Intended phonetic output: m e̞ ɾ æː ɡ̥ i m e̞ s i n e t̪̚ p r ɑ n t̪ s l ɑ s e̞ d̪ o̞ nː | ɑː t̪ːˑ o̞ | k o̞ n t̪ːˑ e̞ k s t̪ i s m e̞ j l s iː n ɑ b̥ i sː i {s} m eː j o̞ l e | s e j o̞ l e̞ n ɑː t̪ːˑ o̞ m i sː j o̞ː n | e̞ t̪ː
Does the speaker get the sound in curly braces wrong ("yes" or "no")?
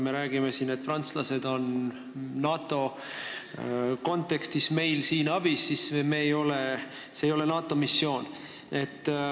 no